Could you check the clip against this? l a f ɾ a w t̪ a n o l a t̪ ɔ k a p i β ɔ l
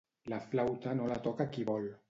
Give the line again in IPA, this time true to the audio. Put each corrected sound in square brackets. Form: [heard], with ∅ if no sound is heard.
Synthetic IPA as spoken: l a f [l] a w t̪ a n o l a t̪ ɔ k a [k] i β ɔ l